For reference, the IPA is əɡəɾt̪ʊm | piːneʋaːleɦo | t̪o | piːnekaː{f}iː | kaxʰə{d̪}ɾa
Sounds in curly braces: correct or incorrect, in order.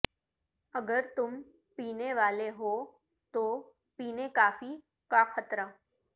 correct, incorrect: t̪

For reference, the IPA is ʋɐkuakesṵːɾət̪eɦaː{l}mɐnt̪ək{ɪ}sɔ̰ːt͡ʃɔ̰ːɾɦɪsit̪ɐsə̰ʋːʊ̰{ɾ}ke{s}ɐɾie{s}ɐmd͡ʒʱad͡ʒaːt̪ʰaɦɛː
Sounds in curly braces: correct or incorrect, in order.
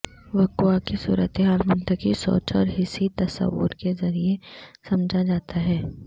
correct, incorrect: i, correct, incorrect: z, correct

